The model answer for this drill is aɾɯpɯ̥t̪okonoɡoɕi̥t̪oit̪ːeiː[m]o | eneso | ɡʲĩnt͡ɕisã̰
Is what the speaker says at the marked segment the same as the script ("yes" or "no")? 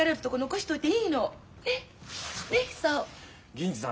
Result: no